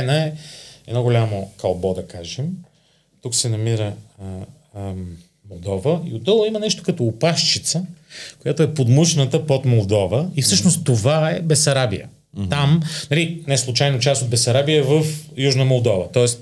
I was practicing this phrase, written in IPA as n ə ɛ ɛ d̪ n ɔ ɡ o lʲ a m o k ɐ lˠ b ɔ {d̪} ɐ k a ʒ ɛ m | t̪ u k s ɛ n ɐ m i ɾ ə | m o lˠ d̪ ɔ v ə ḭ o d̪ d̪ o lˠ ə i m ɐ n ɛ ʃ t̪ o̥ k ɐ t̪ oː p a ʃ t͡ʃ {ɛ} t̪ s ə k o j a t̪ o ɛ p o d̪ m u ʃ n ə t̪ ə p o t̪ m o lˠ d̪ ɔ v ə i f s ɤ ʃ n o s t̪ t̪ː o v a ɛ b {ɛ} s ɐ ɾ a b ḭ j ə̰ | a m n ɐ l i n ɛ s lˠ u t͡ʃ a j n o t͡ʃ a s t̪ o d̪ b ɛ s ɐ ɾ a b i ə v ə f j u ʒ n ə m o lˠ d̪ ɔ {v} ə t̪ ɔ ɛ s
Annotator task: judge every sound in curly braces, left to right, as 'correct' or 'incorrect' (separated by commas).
correct, incorrect, correct, correct